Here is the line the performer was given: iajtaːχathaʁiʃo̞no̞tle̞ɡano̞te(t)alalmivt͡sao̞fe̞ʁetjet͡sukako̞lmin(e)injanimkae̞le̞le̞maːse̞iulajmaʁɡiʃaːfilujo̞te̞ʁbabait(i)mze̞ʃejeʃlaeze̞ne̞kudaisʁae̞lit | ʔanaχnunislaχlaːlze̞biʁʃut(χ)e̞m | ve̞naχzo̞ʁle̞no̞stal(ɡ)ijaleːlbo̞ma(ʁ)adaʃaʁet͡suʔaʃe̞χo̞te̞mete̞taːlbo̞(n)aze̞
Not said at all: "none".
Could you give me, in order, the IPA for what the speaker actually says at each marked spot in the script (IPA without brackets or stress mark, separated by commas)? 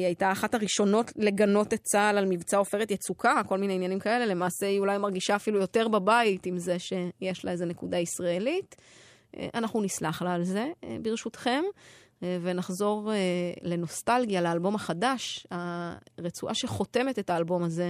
t͡s, e, i, χ, ɡ, χ, m